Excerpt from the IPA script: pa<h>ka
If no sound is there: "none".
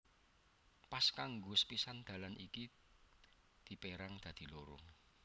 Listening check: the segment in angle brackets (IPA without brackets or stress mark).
s